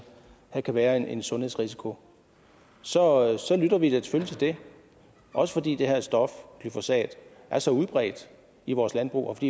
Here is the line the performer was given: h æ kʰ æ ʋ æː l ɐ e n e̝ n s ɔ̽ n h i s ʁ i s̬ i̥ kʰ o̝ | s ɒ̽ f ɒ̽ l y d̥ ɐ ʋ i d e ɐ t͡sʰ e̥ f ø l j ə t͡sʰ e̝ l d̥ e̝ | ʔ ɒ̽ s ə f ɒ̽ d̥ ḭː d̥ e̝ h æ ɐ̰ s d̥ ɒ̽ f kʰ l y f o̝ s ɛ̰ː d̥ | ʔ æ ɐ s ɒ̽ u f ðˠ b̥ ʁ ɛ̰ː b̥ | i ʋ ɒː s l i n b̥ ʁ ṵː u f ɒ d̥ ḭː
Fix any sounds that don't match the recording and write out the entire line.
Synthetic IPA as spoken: h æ kʰ æ ʋ æː ɐ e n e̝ n s ɔ̽ n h e s ʁ i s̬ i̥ kʰ o̝ | s ɒ̽ s ɒ̽ l y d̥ ɐ ʋ i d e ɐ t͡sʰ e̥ f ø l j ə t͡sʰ e̝ l d̥ e̝ | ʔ ɒ̽ s ə f ɒ̽ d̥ ḭː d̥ e̝ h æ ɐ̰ s d̥ ɒ̽ f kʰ l y f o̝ s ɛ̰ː d̥ | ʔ æ ɐ s ɒ̽ u ðˠ b̥ ʁ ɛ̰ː d̥ | i ʋ ɒː s l æ n b̥ ʁ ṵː ɒ f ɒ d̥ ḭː